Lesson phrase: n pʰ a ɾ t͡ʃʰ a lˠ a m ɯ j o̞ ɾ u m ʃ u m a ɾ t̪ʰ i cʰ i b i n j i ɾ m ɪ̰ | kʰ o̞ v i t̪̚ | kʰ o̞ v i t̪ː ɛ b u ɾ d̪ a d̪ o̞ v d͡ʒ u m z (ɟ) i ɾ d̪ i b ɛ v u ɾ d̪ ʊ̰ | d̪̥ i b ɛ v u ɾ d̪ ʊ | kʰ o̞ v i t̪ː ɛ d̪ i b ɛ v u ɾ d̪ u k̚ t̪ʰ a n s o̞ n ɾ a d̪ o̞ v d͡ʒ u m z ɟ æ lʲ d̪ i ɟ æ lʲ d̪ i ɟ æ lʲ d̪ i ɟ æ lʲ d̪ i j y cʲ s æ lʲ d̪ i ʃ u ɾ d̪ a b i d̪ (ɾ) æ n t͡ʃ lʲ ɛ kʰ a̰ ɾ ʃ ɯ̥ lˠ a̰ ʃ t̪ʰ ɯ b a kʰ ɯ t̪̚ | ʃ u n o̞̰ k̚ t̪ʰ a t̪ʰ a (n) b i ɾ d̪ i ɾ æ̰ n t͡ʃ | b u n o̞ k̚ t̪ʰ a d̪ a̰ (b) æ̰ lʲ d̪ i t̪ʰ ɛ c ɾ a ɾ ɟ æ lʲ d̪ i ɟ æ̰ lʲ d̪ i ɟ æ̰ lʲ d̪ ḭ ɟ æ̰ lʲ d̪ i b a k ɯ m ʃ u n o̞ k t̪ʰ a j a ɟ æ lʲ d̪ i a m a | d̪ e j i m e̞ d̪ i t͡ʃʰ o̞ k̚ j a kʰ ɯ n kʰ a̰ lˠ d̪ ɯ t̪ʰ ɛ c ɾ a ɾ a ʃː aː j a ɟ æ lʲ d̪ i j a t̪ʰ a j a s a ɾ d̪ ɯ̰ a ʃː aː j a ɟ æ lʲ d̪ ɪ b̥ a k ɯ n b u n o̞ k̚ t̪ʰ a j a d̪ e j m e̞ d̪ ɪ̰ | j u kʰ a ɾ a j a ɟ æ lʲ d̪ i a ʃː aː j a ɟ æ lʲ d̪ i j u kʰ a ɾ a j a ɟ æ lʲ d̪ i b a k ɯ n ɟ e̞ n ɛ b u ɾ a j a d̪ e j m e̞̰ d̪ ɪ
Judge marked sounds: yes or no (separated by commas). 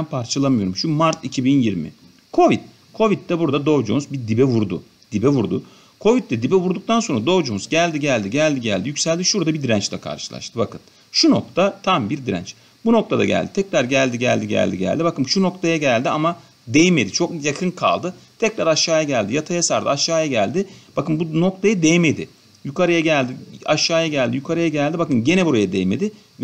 no, yes, no, no